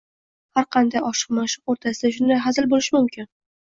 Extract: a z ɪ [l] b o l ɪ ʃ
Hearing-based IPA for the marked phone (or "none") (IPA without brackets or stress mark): l